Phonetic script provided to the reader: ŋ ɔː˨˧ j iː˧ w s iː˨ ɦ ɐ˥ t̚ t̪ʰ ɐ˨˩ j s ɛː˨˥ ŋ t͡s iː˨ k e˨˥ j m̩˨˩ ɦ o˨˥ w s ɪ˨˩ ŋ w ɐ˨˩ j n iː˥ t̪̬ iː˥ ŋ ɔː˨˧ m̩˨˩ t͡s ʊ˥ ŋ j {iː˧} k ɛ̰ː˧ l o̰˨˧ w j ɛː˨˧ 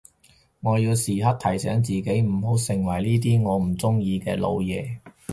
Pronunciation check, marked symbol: correct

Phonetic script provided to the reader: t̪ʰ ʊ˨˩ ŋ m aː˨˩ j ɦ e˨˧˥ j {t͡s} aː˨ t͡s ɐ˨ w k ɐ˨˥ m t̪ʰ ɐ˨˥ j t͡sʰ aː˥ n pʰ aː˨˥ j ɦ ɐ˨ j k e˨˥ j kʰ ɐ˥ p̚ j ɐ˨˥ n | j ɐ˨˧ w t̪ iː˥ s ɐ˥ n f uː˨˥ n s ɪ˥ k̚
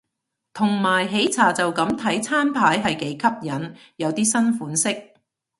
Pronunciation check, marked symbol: incorrect: t͡sʰ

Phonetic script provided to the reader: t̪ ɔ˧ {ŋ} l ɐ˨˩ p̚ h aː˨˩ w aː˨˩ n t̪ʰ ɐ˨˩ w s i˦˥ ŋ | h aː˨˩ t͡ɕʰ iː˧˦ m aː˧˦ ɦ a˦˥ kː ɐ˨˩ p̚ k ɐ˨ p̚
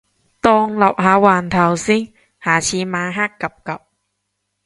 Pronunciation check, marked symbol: correct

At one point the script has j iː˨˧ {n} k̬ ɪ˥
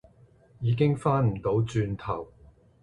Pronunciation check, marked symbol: incorrect: none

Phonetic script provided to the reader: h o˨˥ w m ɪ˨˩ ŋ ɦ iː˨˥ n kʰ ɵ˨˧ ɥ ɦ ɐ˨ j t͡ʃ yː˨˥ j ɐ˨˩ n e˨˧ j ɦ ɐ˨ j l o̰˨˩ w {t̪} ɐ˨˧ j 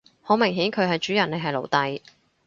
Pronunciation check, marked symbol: correct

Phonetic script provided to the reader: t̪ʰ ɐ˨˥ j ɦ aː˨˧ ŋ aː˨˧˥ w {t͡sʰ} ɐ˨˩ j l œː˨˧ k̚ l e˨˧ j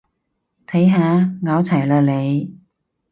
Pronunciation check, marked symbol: correct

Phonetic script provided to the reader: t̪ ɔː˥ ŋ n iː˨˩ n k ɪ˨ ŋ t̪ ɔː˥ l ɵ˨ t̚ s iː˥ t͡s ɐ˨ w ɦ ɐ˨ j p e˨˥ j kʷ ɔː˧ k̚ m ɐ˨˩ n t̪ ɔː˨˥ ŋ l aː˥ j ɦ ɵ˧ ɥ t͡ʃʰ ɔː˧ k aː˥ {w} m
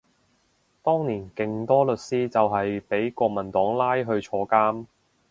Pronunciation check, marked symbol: incorrect: none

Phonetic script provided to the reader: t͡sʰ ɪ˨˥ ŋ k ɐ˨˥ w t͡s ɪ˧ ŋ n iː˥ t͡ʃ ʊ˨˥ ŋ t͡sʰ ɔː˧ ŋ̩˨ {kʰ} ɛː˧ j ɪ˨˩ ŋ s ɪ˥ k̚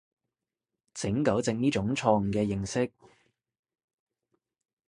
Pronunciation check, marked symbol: incorrect: k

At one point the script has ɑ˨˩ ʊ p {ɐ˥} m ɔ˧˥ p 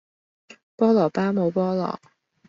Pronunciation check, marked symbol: incorrect: a˥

